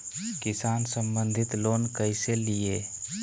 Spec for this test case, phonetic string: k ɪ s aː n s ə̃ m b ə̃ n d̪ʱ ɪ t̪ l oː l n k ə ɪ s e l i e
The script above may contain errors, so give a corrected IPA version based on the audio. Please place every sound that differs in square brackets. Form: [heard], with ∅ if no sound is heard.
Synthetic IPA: k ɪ s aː n s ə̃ m b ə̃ n d̪ʱ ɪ t̪ l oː [∅] n k ə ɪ s e l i e